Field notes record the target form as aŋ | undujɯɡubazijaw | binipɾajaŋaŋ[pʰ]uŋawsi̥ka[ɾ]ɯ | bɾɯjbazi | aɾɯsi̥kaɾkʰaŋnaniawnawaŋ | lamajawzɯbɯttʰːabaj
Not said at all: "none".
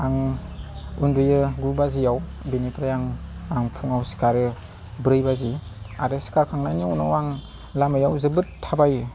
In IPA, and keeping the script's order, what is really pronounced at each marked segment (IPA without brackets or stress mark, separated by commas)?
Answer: pʰ, ɾ